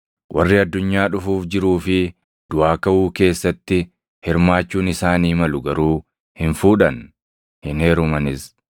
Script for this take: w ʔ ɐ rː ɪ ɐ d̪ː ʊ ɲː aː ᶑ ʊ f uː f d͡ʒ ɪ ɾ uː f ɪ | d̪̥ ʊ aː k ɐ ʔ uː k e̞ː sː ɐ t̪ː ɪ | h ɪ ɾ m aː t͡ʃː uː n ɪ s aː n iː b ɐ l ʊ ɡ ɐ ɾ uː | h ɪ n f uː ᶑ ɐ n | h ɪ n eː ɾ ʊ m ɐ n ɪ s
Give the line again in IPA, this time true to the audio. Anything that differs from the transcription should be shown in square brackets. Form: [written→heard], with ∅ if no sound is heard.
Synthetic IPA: w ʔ ɐ rː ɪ ɐ d̪ː ʊ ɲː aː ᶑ ʊ f uː f d͡ʒ ɪ ɾ uː f ɪ | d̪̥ ʊ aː k ɐ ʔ uː k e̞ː sː ɐ t̪ː ɪ | h ɪ ɾ m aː t͡ʃː uː n ɪ s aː n iː [b→m] ɐ l ʊ ɡ ɐ ɾ uː | h ɪ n f uː ᶑ ɐ n | h ɪ n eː ɾ ʊ m ɐ n ɪ s